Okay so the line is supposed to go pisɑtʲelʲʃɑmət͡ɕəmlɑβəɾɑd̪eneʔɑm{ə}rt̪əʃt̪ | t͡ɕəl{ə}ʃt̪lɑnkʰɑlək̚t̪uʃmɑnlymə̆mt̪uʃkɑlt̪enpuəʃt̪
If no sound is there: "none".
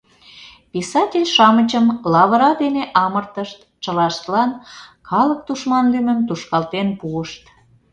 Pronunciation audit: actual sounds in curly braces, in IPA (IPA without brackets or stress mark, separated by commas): ə, ɑ